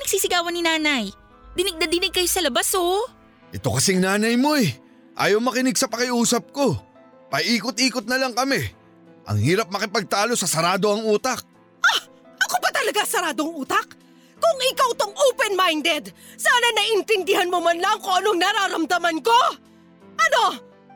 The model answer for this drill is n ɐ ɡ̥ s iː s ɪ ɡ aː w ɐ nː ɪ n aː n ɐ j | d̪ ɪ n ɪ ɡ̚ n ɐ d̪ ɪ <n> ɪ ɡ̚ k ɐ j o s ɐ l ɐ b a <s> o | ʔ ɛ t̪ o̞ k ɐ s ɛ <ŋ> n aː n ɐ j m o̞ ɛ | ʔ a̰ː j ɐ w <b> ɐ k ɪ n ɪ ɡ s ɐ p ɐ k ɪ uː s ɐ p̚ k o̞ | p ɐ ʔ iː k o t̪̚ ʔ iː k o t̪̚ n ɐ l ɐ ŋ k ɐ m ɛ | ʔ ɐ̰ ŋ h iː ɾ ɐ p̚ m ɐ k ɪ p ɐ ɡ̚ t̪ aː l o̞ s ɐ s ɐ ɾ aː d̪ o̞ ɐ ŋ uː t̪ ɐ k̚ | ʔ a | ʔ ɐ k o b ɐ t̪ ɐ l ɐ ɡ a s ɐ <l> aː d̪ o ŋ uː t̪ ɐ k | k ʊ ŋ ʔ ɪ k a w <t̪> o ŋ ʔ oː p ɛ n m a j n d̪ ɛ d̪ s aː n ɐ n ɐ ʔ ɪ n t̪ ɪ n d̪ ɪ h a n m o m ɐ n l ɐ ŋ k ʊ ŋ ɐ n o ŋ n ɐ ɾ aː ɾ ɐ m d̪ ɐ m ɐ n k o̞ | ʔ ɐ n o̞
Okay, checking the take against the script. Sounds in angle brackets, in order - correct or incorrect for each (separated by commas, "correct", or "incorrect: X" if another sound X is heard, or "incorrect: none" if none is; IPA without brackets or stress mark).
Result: correct, correct, correct, incorrect: m, incorrect: ɾ, correct